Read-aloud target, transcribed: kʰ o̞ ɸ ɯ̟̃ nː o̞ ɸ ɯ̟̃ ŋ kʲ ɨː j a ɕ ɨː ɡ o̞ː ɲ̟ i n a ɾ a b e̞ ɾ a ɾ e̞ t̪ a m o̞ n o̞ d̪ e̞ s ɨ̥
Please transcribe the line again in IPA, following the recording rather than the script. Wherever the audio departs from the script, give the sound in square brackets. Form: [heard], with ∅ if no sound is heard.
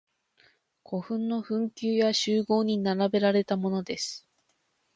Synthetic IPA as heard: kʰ o̞ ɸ ɯ̟̃ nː o̞ ɸ ɯ̟̃ ŋ kʲ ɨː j a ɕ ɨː ɡ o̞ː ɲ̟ i n a ɾ a b e̞ ɾ a ɾ e̞ t̪ a m o̞ n o̞ d̪ e̞ s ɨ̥